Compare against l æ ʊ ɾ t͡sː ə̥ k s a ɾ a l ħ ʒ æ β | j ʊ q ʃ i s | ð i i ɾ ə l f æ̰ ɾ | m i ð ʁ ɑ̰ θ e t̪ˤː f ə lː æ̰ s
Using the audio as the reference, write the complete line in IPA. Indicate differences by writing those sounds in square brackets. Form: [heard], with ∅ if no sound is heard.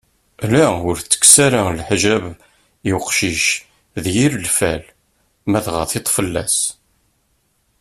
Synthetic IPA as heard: l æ ʊ ɾ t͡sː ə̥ k s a ɾ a l ħ ʒ æ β | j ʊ q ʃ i [ʃ] | ð [j] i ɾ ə l f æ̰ [l] | m [æ] ð ʁ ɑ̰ θ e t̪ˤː f ə lː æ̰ s